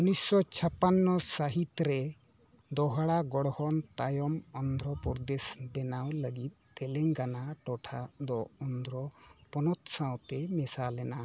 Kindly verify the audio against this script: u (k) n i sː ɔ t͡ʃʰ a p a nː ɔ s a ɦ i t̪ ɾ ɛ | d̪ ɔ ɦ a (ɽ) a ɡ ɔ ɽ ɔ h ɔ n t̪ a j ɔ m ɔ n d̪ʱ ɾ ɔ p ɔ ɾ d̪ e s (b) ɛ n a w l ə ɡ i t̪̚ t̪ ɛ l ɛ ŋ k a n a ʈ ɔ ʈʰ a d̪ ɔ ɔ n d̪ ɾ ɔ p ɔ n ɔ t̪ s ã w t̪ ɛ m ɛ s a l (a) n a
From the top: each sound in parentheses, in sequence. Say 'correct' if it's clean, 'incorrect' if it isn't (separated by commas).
incorrect, correct, correct, incorrect